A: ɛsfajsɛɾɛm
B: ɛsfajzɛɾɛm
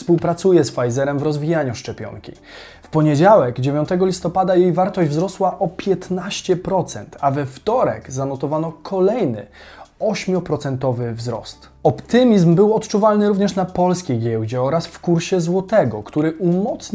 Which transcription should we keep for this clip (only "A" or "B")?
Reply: B